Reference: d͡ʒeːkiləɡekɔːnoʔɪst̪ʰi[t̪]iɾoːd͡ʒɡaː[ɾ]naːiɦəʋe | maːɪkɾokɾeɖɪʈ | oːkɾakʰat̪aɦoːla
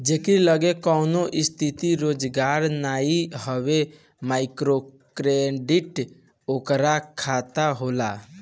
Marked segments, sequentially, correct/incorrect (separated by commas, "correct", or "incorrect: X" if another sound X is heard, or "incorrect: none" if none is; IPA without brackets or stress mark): correct, correct